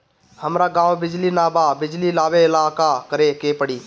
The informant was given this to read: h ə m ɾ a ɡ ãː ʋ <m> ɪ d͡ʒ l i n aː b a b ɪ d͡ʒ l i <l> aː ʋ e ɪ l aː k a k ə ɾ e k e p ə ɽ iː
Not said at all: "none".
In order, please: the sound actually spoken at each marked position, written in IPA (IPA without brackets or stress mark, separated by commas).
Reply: b, l